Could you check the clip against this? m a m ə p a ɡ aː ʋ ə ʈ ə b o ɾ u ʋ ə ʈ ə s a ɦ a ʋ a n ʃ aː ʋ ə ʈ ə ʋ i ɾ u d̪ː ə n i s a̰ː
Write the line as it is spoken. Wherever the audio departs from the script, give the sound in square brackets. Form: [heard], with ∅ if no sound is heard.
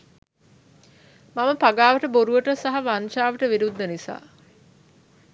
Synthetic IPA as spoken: m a m ə p a ɡ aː ʋ ə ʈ ə b o ɾ u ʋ ə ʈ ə s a ɦ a ʋ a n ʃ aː ʋ ə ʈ ə ʋ i ɾ u d̪ː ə n i s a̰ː

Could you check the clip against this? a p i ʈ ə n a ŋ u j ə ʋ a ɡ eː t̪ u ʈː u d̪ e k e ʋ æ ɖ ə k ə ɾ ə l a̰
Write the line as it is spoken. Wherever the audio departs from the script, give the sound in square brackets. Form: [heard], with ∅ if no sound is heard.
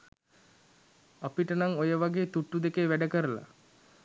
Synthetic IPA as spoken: a p i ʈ ə n a ŋ [o] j ə ʋ a ɡ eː t̪ u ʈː u d̪ e k e ʋ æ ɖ ə k ə ɾ ə l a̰

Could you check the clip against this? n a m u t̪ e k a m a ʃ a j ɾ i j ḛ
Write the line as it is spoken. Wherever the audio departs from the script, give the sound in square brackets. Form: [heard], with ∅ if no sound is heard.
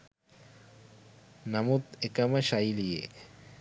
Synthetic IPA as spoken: n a m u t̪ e k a m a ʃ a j [l] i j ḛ

